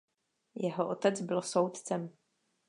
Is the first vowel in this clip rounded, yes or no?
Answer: no